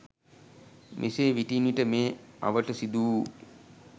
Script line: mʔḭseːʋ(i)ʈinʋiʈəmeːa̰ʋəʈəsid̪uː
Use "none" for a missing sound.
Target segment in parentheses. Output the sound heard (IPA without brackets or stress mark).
i